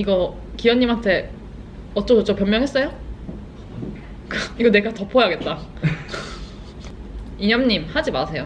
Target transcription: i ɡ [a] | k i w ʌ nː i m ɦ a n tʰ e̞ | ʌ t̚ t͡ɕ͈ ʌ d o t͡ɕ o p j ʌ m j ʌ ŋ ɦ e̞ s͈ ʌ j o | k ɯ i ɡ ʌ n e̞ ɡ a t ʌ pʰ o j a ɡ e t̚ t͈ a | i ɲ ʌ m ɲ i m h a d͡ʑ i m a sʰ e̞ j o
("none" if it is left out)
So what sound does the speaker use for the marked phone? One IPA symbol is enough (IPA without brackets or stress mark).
ʌ